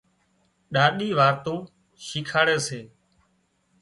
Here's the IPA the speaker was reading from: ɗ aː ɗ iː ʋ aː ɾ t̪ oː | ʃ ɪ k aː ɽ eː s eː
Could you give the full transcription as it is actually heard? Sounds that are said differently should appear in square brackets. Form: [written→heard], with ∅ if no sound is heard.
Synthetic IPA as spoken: ɗ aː ɗ iː ʋ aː ɾ t̪ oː | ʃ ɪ [k→kʰ] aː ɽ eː s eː